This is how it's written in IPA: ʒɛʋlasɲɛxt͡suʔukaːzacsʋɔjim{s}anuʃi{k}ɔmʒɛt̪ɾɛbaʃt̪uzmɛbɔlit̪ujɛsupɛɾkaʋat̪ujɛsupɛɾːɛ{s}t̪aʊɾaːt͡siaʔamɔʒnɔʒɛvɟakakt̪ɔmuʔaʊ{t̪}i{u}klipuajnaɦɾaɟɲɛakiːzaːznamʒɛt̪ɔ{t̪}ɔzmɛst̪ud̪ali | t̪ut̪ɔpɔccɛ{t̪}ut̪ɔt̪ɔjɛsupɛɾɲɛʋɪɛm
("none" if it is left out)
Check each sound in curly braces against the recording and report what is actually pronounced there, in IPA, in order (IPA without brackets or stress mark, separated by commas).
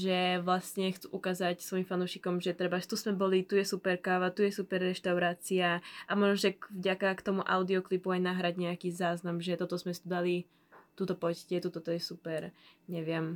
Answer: f, k, ʃ, d̪, ɔ, t̪, t̪